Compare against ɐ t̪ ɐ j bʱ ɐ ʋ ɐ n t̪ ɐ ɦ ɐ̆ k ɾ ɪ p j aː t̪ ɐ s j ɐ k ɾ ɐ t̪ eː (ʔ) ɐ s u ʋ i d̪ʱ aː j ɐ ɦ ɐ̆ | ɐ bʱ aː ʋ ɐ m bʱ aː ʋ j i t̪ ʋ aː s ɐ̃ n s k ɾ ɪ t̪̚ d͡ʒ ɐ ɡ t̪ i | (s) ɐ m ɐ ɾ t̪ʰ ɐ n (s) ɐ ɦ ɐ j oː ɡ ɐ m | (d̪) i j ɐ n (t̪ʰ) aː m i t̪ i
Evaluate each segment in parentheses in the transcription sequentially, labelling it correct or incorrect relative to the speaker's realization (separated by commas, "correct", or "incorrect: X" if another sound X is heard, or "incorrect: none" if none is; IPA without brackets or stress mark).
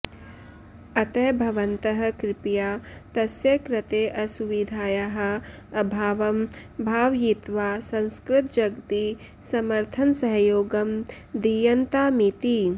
correct, correct, correct, correct, incorrect: t̪